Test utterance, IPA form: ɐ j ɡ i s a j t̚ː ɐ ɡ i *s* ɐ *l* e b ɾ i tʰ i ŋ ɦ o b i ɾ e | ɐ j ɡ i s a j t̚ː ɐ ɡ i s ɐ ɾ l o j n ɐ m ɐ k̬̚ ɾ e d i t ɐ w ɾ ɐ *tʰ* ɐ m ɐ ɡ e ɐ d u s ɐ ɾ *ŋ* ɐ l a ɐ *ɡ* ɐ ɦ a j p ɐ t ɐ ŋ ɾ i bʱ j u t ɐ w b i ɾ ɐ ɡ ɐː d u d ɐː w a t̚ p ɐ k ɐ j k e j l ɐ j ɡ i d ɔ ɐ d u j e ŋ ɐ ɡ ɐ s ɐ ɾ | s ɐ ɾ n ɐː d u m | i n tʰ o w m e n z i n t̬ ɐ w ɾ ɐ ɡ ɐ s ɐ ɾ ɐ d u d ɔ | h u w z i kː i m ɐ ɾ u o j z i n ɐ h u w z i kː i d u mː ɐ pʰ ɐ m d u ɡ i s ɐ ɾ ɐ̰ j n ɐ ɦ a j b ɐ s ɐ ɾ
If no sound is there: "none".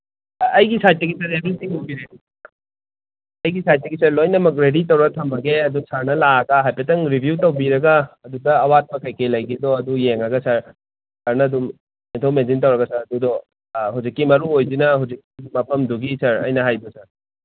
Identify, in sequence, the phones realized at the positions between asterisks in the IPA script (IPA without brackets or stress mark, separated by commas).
s, ɾ, tʰ, n, ɡ